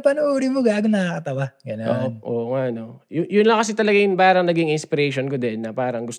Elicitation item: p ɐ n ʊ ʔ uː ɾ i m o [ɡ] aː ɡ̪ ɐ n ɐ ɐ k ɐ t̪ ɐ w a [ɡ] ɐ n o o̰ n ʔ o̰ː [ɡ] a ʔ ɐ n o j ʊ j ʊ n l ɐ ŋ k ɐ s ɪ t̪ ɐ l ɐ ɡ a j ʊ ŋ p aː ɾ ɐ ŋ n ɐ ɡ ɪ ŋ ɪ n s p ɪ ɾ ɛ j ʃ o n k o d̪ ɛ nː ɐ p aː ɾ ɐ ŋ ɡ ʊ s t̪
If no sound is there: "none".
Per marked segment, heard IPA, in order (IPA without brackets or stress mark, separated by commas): ɡ, ɡ, ŋ